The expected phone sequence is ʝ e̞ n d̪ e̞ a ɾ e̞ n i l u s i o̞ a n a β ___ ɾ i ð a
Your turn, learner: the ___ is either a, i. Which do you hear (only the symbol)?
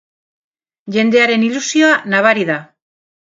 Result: a